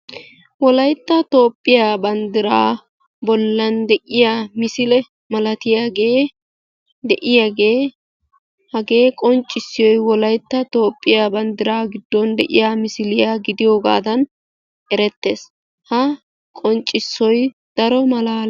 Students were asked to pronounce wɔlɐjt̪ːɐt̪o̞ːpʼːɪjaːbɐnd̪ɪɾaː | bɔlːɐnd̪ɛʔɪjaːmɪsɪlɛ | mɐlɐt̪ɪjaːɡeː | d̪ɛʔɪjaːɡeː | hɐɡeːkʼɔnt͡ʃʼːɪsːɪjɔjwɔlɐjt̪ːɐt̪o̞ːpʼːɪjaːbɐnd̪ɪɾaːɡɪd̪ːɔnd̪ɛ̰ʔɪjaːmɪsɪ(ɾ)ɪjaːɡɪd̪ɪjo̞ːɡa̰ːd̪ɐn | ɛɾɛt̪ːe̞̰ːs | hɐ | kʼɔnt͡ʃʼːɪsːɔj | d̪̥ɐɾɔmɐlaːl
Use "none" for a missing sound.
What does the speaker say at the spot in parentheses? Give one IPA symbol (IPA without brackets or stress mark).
l